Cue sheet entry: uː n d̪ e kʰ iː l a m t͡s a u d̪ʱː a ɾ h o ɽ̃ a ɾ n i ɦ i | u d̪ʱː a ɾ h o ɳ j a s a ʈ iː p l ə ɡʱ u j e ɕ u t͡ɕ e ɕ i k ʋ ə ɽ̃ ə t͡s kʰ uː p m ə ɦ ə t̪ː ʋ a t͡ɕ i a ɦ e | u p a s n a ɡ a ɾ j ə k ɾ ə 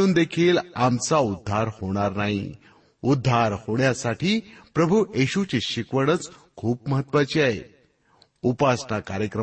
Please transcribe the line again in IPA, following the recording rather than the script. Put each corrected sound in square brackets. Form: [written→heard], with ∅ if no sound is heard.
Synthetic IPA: uː n d̪ e kʰ iː l a m t͡s a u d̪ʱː a ɾ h o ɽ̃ a ɾ n [i→a] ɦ i | u d̪ʱː a ɾ h o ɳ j a s a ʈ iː p [l→ɾ] ə [ɡʱ→bʱ] u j e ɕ u t͡ɕ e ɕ i k ʋ ə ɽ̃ ə t͡s kʰ uː p m ə ɦ ə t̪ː ʋ a t͡ɕ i a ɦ e | u p a s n a [ɡ→k] a ɾ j ə k ɾ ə